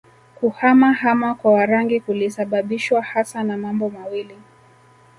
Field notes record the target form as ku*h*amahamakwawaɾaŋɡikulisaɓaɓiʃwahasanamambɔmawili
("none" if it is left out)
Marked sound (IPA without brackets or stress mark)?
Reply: h